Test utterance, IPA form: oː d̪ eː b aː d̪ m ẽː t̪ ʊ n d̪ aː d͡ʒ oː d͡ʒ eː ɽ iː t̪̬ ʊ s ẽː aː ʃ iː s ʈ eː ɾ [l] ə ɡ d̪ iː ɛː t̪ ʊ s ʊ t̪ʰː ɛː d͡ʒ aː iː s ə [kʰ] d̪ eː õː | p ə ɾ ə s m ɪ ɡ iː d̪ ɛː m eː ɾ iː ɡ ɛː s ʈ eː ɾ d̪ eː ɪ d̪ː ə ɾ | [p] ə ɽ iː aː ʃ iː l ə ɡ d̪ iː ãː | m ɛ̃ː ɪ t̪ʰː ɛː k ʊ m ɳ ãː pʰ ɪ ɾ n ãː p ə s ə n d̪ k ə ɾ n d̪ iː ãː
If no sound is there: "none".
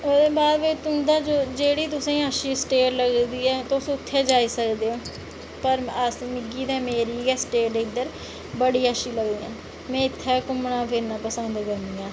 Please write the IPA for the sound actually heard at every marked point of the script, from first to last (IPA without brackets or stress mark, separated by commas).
l, k, b